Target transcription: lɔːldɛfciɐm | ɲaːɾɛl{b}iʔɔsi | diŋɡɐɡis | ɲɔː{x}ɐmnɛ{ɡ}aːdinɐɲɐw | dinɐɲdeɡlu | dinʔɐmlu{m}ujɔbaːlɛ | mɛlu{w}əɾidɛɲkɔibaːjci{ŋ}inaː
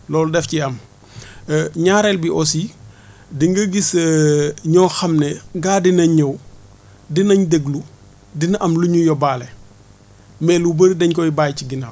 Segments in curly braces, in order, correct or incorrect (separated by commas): correct, correct, correct, incorrect, incorrect, incorrect